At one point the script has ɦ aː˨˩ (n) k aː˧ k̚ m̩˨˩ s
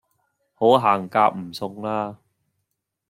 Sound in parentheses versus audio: incorrect: ŋ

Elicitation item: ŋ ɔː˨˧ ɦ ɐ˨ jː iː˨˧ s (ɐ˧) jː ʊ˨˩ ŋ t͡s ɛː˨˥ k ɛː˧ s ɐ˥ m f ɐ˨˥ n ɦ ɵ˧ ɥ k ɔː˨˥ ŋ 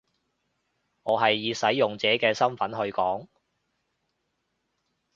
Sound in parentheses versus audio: incorrect: ɐ˨˥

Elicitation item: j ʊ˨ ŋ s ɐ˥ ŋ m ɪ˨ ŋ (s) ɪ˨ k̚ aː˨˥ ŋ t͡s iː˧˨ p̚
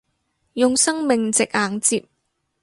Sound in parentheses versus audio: incorrect: t͡s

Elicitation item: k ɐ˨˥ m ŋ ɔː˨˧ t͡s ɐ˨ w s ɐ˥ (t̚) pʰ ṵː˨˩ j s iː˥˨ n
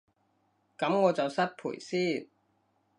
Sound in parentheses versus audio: correct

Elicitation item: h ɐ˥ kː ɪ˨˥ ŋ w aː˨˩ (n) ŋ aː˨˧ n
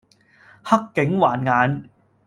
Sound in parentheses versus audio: correct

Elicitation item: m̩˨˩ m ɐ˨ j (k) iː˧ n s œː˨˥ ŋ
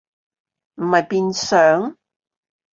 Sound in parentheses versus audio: incorrect: p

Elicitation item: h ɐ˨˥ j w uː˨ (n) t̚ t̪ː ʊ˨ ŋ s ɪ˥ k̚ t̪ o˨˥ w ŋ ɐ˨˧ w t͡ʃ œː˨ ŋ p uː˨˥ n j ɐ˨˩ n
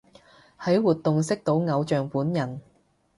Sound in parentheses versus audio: incorrect: none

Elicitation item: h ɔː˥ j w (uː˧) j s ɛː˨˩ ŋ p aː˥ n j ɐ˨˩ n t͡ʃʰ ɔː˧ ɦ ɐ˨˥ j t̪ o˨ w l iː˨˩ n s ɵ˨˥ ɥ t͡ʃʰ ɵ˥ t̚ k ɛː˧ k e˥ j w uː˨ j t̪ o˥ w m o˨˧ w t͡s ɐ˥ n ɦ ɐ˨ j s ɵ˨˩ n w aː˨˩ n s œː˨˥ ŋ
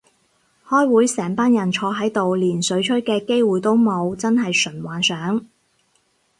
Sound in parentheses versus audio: incorrect: uː˨˥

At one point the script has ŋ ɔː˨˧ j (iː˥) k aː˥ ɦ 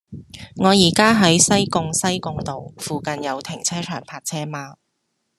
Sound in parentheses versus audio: incorrect: iː˨˩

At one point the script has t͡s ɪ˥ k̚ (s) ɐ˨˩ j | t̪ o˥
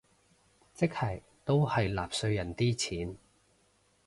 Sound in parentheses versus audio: incorrect: h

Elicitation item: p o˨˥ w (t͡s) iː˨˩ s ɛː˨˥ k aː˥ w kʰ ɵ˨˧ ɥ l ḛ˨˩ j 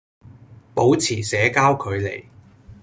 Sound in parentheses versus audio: incorrect: t͡sʰ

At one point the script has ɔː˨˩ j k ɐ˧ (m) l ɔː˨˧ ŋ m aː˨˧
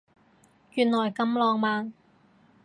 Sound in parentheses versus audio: correct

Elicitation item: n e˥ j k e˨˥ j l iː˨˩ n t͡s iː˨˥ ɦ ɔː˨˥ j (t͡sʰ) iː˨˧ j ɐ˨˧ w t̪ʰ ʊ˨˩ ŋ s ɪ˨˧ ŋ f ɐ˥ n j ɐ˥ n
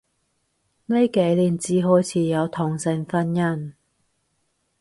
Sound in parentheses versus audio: correct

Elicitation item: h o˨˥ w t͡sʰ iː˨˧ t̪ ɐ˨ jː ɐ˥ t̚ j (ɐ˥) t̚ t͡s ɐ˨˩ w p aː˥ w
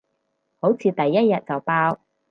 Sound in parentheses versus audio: incorrect: ɐ˨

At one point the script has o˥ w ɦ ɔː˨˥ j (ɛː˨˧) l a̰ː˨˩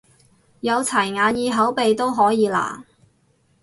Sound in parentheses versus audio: incorrect: iː˨˧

